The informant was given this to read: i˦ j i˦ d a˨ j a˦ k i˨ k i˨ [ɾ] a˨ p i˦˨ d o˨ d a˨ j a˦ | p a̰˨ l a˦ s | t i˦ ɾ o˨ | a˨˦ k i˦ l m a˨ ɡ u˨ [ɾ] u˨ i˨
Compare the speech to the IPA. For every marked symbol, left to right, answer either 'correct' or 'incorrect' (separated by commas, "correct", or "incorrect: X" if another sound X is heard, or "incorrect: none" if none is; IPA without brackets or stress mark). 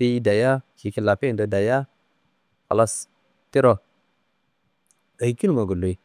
incorrect: l, incorrect: l